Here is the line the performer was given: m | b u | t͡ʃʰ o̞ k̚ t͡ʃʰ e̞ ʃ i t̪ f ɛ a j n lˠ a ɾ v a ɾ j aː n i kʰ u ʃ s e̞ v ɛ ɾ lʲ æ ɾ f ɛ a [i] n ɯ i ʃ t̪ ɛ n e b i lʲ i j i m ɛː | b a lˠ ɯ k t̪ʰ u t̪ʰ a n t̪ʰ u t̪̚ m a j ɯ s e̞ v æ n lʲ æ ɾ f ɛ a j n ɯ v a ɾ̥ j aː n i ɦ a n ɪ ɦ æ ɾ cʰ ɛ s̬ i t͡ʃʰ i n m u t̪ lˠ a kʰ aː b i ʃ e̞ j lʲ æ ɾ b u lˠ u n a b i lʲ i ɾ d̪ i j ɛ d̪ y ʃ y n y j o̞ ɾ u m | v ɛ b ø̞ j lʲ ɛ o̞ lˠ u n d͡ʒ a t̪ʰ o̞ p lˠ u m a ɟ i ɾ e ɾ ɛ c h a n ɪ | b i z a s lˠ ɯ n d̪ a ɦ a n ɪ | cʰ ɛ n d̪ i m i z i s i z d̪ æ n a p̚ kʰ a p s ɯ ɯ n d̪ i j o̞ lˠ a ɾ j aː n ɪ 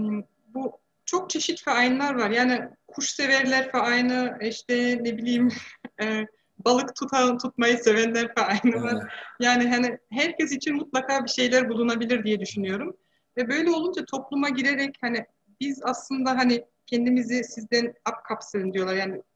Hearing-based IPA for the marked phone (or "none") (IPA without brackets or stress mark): j